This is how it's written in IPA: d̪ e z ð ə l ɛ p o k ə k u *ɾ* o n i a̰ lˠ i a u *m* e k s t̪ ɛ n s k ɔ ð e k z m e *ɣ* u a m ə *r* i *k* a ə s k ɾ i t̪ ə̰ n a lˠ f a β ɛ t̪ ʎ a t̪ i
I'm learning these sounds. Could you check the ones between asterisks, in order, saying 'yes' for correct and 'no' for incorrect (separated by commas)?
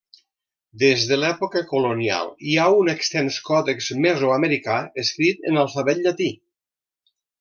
no, no, no, no, yes